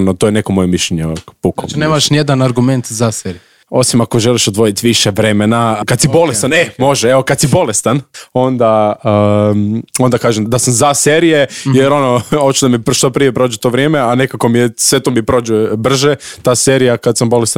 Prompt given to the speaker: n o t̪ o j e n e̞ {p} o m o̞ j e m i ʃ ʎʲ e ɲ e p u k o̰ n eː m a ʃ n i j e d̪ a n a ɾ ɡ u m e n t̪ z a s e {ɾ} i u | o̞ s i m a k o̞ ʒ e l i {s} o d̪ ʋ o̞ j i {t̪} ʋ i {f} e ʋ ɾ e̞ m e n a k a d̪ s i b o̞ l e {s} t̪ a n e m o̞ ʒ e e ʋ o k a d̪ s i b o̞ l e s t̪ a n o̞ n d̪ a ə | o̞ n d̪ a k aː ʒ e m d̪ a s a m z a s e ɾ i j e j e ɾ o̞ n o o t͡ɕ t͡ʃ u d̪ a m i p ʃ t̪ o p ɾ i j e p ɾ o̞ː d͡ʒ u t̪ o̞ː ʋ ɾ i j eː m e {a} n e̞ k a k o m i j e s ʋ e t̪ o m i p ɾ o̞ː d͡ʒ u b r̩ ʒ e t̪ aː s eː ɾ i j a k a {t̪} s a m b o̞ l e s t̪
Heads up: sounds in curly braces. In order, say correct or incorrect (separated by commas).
incorrect, correct, incorrect, correct, incorrect, correct, correct, incorrect